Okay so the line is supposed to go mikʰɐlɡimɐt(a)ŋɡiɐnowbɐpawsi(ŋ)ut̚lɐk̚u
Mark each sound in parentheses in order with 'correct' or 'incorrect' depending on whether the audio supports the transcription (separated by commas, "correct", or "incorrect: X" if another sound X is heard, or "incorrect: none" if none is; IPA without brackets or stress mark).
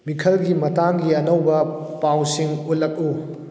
correct, correct